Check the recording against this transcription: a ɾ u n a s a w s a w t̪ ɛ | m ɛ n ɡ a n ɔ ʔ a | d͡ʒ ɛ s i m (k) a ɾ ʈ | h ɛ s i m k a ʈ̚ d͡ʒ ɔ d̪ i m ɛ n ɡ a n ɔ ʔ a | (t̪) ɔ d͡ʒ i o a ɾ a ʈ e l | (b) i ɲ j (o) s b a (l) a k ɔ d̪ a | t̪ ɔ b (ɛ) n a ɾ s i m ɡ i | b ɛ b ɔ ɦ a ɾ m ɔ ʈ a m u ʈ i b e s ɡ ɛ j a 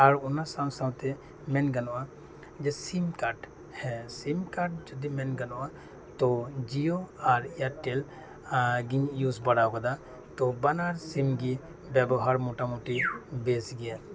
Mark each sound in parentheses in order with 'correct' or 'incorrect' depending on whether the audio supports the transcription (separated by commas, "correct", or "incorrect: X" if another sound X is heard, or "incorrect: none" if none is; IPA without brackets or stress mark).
correct, correct, incorrect: ɡ, incorrect: u, incorrect: ɽ, incorrect: a